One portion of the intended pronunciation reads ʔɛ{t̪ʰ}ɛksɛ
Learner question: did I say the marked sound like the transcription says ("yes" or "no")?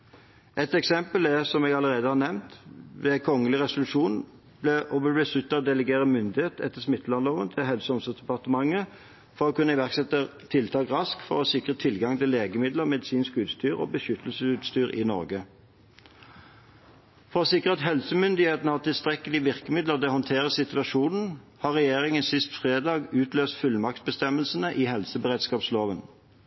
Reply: no